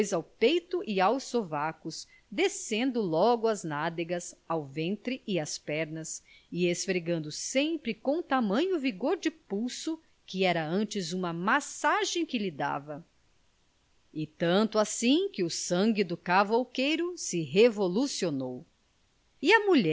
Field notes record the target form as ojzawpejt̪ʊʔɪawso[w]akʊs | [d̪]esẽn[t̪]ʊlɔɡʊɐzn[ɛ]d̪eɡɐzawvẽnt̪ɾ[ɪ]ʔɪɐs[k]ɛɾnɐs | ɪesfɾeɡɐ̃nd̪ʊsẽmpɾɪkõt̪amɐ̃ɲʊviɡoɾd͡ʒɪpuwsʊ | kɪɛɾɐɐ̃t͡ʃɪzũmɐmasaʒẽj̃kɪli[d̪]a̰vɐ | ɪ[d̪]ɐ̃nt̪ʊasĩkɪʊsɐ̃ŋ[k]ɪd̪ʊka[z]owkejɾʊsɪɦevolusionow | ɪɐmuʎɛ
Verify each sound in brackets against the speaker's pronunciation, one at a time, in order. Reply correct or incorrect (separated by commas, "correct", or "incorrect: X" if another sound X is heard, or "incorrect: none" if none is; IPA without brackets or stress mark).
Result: incorrect: v, correct, incorrect: d̪, incorrect: a, correct, incorrect: p, correct, incorrect: t̪, incorrect: ɡ, incorrect: v